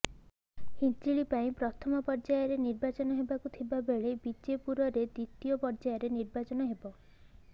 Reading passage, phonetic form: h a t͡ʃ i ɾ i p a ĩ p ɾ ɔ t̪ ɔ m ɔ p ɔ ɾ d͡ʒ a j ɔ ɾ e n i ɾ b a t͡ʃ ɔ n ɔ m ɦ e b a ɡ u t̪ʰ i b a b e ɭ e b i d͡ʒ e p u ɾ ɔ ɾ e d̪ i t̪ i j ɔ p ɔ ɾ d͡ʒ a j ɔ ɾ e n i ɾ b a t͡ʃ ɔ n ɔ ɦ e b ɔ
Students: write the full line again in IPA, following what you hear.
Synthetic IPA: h i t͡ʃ i ɭ i p a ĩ p ɾ ɔ t̪ʰ ɔ m ɔ p ɔ ɾ d͡ʒ a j ɔ ɾ e n i ɾ b a t͡ʃ ɔ n ɔ ɦ e b a k u t̪ʰ i b a b e ɭ e b i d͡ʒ e p u ɾ ɔ ɾ e d̪ i t̪ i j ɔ p ɔ ɾ d͡ʒ a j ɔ ɾ e n i ɾ b a t͡ʃ ɔ n ɔ ɦ e b ɔ

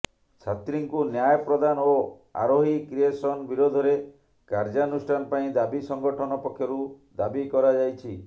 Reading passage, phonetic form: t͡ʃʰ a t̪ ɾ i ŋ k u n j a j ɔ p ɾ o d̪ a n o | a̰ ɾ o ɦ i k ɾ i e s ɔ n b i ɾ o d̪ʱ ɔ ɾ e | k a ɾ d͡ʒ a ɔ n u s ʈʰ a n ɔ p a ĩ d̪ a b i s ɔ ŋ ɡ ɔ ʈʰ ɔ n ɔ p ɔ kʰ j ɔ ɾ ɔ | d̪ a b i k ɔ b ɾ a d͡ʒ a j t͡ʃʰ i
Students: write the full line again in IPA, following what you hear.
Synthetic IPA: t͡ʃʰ a t̪ ɾ i ŋ k u n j a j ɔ p ɾ ɔ d̪ a n o | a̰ ɾ o ɦ i k ɾ i e s ɔ n b i ɾ o d̪ʱ ɔ ɾ e | k a ɾ d͡ʒ a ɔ n u s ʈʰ a n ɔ p a ĩ d̪ a b i s ɔ ŋ ɡ ɔ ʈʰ ɔ n ɔ p ɔ kʰ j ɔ ɾ u | d̪ a b i k ɔ ɾ a d͡ʒ a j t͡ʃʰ i

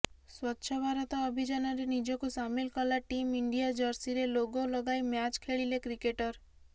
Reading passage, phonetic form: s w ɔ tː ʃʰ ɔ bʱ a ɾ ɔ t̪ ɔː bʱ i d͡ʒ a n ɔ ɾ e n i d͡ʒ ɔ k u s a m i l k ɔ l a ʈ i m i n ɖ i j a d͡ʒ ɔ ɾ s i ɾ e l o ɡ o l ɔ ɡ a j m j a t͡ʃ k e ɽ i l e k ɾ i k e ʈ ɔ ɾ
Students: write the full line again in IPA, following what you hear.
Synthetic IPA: s w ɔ tː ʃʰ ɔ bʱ a ɾ ɔ t̪ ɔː bʱ i d͡ʒ a n ɔ ɾ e n i d͡ʒ ɔ k u s a m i l k ɔ l a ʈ i m i ɳ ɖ i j a d͡ʒ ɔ ɾ s i ɾ e l o ɡ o l ɔ ɡ a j m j a t͡ʃ kʰ e ɭ i l e k ɾ i k e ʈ ɔ ɾ

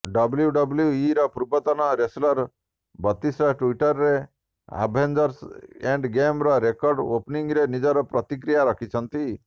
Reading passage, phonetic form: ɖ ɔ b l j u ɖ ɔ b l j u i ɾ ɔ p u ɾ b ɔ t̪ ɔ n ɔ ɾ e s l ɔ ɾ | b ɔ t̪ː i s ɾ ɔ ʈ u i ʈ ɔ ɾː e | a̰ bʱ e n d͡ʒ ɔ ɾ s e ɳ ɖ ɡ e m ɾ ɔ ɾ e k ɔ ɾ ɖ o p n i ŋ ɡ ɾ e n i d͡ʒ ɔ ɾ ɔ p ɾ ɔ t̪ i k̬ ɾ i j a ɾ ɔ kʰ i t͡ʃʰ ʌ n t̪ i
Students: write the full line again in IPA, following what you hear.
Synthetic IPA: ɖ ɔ b l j u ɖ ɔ b l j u i ɾ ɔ p u ɾ b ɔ t̪ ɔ n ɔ ɾ e s l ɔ ɾ | b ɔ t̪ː i s ɾ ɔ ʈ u i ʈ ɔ ɾː e | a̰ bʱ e n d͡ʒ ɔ ɾ s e ɳ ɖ ɡ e m ɾ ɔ ɾ e k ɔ ɾ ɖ o p n i ŋ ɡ ɾ e n i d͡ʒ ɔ ɾ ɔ p ɾ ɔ t̪ i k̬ ɾ i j a ɾ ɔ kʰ i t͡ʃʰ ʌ n t̪ i

